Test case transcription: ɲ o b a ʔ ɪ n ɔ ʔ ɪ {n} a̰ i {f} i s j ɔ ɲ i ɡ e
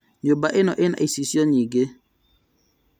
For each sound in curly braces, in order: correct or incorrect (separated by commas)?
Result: correct, incorrect